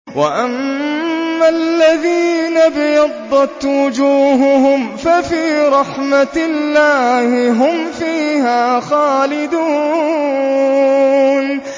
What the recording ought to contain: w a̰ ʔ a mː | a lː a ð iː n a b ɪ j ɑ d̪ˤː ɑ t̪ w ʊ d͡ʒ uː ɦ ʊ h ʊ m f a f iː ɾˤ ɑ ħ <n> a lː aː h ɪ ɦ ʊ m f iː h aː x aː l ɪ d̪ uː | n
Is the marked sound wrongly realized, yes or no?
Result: yes